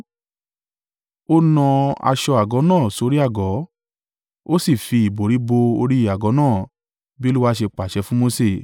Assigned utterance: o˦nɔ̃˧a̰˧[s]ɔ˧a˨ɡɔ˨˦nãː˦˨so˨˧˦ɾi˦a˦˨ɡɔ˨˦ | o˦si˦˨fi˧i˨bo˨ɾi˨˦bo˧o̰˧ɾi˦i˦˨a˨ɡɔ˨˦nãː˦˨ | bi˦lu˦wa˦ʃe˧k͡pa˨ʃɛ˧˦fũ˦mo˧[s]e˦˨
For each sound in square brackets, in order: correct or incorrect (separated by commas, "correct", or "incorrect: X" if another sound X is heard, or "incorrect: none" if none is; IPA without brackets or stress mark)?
incorrect: ʃ, correct